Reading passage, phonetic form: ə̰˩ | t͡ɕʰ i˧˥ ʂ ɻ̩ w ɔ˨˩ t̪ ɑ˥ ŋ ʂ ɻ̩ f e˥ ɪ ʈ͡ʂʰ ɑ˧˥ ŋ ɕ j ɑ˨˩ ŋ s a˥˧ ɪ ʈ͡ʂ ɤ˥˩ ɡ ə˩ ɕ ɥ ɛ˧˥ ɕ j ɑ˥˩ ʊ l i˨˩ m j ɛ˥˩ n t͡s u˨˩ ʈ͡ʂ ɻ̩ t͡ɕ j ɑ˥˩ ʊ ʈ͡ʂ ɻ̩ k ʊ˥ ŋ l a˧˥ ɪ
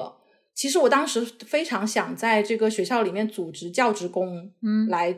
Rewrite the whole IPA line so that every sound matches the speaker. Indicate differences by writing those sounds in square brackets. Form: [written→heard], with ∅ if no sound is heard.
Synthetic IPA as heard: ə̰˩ | t͡ɕʰ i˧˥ ʂ ɻ̩ w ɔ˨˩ t̪ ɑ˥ ŋ ʂ ɻ̩ f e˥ ɪ ʈ͡ʂʰ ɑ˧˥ ŋ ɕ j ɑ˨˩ ŋ [s→t͡s] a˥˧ ɪ ʈ͡ʂ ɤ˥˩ ɡ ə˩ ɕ ɥ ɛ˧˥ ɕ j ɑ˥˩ ʊ l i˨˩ m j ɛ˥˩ n t͡s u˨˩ ʈ͡ʂ ɻ̩ t͡ɕ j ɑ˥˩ ʊ ʈ͡ʂ ɻ̩ k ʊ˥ ŋ l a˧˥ ɪ